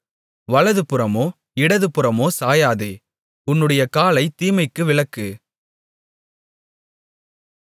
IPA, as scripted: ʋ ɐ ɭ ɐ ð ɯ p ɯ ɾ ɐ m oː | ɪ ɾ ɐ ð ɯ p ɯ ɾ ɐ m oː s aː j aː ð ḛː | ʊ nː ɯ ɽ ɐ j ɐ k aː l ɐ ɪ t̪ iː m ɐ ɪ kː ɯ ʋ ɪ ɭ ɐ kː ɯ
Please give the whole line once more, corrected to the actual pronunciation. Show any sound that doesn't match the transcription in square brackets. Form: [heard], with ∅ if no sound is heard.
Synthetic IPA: ʋ ɐ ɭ ɐ ð ɯ p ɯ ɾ ɐ m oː | ɪ [ɽ] ɐ ð ɯ p ɯ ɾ ɐ m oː s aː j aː ð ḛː | ʊ nː ɯ ɽ ɐ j ɐ k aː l ɐ ɪ t̪ iː m ɐ ɪ kː ɯ ʋ ɪ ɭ ɐ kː ɯ